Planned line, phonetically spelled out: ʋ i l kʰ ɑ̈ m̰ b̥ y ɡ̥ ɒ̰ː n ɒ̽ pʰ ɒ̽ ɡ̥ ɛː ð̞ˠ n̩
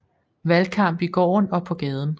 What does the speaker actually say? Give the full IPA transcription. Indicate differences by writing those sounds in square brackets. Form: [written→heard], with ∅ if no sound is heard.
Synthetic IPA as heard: ʋ [i→æ] l kʰ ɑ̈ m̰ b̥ [y→i] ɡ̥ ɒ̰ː n ɒ̽ pʰ ɒ̽ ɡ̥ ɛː ð̞ˠ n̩

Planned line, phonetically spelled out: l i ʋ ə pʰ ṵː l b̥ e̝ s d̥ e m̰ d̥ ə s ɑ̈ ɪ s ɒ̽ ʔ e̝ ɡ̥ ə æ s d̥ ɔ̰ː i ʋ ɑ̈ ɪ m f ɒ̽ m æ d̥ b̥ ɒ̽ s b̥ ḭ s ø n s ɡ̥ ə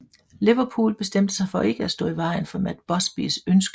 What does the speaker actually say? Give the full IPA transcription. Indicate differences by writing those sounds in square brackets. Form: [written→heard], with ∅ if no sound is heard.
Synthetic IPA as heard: l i ʋ [ə→ɐ] pʰ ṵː l b̥ e̝ s d̥ e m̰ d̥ ə s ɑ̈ ɪ [s→f] ɒ̽ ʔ e̝ ɡ̥ ə æ s d̥ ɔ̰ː i ʋ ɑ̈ ɪ [m→n] f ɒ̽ m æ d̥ b̥ ɒ̽ s b̥ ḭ s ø n s ɡ̥ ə

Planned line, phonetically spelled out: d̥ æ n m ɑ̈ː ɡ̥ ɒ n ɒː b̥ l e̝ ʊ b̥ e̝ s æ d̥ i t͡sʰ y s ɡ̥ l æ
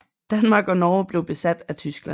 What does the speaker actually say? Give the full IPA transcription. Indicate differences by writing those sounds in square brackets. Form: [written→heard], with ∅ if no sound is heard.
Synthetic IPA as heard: d̥ æ n m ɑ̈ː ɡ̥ ɒ n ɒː b̥ l e̝ ʊ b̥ e̝ s æ d̥ [i→æ] t͡sʰ y s ɡ̥ l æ

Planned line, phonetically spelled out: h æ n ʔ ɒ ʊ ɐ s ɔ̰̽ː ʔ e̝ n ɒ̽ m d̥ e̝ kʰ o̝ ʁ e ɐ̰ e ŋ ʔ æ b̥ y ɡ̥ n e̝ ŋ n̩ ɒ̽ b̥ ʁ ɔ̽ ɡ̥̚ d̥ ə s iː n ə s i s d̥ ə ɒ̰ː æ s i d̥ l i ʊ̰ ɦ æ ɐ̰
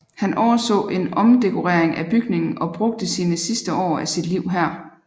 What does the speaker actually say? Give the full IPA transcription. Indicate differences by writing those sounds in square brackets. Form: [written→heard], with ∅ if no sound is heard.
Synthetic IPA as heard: h æ n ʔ ɒ ʊ ɐ s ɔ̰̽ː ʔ e̝ n ɒ̽ m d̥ e̝ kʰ o̝ ʁ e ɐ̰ e ŋ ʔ æ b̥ y ɡ̥ n e̝ ŋ n̩ ɒ̽ b̥ ʁ ɔ̽ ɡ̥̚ d̥ ə s iː n ə s i s d̥ ə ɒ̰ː æ s i d̥ l i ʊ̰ ɦ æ ɐ̰

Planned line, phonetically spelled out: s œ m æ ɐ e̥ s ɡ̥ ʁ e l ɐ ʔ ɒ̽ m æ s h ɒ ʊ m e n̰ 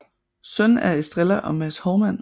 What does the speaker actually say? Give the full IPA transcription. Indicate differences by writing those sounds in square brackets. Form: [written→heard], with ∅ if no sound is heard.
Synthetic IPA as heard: s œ [m→n] æ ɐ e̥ s [ɡ̥→d̥] ʁ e l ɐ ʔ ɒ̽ m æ s h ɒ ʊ m [e→æ] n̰

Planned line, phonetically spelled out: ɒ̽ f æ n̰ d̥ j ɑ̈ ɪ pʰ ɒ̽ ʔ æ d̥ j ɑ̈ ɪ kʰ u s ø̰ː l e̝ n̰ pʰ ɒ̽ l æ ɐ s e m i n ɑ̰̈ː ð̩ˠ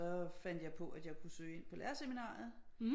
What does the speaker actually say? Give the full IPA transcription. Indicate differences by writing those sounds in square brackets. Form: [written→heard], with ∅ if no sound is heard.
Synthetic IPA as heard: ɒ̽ f æ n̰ d̥ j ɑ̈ ɪ pʰ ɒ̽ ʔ æ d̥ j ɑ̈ ɪ kʰ u s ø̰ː [l→∅] e̝ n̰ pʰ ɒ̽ l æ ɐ s e m i n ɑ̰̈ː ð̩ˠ

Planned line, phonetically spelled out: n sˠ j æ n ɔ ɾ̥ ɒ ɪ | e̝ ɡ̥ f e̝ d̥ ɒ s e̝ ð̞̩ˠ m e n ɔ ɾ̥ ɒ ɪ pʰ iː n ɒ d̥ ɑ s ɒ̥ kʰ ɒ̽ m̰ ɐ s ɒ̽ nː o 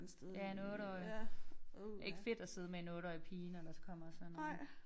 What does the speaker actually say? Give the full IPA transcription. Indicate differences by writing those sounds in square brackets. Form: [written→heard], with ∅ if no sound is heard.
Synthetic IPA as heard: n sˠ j æ n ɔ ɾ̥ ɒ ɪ | e̝ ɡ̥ f e̝ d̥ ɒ s e̝ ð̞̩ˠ m e n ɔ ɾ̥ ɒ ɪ pʰ iː n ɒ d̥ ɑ s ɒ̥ kʰ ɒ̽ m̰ ɐ s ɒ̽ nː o

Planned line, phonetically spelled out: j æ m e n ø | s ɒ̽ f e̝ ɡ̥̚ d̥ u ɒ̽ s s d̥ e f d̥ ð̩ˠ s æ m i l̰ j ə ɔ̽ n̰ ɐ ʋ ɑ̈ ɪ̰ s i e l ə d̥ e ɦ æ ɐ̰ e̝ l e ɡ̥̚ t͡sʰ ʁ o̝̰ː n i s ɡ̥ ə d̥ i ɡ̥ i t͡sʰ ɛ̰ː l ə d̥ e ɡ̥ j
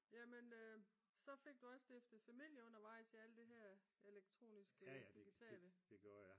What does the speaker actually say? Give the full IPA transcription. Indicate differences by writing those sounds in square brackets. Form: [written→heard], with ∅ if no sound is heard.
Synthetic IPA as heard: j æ m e n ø | s ɒ̽ f e̝ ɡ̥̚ d̥ u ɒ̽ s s d̥ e f d̥ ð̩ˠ [s→f] æ m i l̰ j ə ɔ̽ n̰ ɐ ʋ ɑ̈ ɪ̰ s i [e→æ] l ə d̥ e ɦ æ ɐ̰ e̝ l e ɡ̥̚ t͡sʰ ʁ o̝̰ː n i s ɡ̥ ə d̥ i ɡ̥ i t͡sʰ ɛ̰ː l ə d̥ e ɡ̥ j

